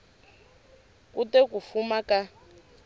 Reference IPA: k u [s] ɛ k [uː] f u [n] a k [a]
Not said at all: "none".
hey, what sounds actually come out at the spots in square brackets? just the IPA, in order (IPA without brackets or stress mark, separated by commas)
t, u, m, a